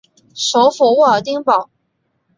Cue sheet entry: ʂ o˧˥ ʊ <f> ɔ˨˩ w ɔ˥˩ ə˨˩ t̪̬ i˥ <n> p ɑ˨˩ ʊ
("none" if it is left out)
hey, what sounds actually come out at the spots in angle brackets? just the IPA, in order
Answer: f, ŋ

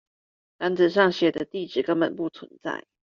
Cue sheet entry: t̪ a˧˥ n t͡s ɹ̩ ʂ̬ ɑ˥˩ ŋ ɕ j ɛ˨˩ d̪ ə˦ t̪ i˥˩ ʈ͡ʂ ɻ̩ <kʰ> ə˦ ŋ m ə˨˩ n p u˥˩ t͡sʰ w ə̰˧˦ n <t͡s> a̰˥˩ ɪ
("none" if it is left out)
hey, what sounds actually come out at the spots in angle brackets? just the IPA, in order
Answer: k, t͡s

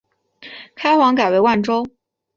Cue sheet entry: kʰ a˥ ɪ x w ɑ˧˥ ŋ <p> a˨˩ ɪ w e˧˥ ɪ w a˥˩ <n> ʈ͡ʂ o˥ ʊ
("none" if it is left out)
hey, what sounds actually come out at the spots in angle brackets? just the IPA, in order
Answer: k, n

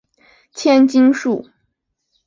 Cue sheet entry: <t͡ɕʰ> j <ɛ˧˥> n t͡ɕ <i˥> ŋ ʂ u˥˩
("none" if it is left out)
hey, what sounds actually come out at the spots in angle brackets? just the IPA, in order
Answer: t͡ɕʰ, ɛ˥, i˥

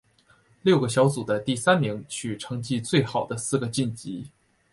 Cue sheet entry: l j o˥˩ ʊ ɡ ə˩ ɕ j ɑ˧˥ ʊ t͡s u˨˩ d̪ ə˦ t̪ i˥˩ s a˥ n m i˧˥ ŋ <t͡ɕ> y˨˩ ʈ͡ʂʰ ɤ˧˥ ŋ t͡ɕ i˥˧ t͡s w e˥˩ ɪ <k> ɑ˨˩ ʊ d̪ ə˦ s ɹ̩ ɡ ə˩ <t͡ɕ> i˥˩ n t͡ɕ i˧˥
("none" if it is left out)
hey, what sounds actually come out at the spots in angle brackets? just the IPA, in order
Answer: t͡ɕʰ, x, t͡ɕ

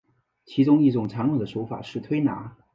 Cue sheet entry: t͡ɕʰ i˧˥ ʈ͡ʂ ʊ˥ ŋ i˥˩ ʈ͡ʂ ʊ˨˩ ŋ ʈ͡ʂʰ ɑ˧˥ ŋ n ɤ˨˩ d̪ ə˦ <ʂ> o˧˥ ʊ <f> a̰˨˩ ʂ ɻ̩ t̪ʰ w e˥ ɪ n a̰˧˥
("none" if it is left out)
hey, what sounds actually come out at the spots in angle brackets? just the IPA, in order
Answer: ʂ, f

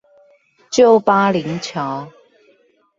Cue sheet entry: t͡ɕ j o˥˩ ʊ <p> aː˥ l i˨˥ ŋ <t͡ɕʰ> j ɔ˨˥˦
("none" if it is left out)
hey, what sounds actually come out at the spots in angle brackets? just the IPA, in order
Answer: p, t͡ɕʰ

